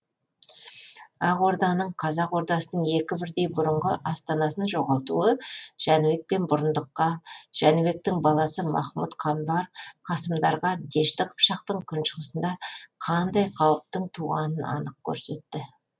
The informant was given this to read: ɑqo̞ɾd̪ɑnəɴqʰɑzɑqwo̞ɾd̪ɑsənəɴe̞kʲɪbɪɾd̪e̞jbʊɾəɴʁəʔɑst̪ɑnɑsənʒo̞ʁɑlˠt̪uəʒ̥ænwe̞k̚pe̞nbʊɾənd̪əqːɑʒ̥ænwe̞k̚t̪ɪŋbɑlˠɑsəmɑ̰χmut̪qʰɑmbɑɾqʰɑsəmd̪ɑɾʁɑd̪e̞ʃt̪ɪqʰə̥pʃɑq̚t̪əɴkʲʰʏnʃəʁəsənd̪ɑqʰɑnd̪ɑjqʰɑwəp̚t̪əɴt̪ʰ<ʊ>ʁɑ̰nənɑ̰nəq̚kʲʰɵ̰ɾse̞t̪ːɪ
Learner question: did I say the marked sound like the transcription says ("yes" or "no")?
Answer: no